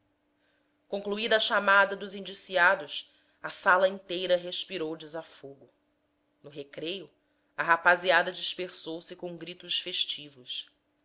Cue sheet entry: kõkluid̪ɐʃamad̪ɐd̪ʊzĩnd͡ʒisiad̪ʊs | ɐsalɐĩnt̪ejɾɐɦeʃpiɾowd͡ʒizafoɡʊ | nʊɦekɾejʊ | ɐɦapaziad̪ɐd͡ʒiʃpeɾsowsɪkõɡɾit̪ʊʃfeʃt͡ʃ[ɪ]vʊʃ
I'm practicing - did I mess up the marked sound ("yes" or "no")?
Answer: yes